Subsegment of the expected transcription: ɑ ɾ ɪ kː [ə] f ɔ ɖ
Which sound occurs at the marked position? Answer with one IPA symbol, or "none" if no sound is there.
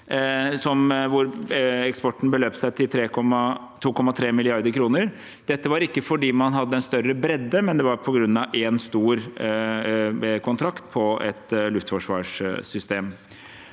ə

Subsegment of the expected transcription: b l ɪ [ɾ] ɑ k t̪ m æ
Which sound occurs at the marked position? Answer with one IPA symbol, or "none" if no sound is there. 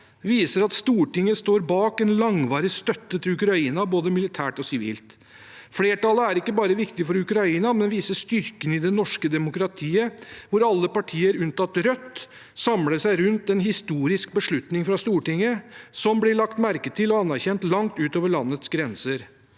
ɭ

